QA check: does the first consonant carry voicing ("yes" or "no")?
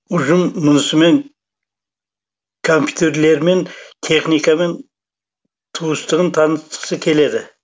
yes